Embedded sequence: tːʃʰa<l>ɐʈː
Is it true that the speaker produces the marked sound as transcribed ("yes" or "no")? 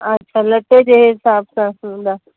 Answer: yes